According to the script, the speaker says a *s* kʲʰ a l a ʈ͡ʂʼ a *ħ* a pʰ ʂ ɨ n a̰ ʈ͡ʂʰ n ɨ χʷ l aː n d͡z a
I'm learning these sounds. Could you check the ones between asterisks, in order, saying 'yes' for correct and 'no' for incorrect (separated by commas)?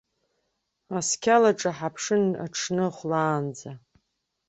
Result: yes, yes